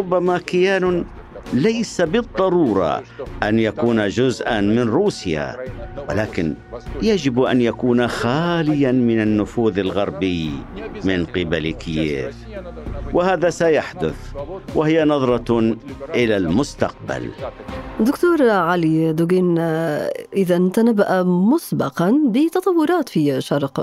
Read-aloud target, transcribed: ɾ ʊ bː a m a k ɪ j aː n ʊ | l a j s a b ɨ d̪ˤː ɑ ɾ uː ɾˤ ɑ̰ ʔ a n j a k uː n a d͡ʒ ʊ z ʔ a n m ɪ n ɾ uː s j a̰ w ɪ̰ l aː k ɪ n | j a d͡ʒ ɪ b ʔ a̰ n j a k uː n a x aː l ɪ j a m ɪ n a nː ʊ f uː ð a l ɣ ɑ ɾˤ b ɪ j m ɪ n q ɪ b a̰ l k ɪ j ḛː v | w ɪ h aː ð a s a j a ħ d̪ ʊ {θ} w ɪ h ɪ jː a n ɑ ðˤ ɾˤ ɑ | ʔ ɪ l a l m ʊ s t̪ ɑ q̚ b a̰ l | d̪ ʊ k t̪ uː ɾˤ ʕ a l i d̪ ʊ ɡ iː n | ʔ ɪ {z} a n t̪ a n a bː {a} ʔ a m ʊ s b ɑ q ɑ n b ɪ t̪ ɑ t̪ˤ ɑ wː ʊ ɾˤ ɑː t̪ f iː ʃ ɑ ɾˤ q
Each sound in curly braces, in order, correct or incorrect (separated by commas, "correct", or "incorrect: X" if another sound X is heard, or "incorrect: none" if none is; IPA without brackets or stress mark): correct, incorrect: ð, correct